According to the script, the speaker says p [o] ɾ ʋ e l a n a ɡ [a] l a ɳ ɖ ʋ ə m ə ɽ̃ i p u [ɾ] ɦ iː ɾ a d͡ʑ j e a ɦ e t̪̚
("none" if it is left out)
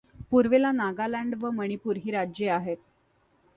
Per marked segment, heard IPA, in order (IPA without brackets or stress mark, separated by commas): u, a, ɾ